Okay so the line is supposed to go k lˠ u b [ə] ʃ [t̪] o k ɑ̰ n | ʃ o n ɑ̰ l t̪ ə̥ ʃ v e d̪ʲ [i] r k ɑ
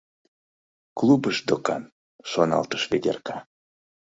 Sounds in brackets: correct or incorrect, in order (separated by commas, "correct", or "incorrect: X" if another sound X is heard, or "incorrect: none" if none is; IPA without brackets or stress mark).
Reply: correct, incorrect: d̪, incorrect: e